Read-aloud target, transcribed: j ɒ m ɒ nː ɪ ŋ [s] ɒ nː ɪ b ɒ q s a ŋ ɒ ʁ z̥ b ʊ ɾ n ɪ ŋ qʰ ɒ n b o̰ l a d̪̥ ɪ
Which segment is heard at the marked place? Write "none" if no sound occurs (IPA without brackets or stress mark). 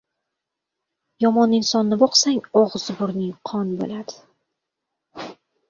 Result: s